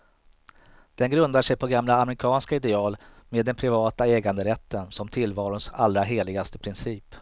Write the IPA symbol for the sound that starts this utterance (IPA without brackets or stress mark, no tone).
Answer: d̪̥